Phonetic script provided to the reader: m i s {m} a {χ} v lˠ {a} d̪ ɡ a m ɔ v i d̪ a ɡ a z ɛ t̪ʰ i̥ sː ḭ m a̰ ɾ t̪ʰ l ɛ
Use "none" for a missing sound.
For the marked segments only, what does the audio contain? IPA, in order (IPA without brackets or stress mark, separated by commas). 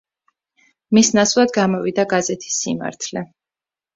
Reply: n, s, a